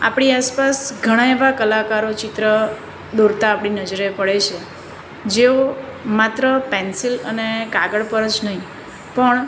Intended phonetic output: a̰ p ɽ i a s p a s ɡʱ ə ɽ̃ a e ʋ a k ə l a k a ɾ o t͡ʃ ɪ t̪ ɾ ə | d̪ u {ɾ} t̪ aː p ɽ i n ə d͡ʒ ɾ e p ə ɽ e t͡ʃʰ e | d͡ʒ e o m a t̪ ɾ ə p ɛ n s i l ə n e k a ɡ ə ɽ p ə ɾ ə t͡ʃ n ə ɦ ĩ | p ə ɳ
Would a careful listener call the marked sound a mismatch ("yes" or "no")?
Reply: no